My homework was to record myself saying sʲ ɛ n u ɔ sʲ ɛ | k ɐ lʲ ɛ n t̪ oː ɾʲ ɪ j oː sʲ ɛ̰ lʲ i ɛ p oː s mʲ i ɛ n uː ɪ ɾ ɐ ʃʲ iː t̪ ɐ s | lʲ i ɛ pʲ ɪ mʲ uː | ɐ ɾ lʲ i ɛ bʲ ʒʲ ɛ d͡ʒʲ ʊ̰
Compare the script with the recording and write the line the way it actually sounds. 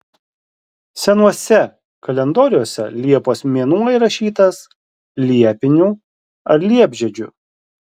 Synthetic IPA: sʲ ɛ n u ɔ sʲ ɛ | k ɐ lʲ ɛ n d̪ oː ɾʲ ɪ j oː sʲ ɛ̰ lʲ i ɛ p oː s mʲ i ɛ n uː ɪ ɾ ɐ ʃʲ iː t̪ ɐ s | lʲ i ɛ pʲ ɪ nʲ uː | ɐ ɾ lʲ i ɛ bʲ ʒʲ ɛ d͡ʒʲ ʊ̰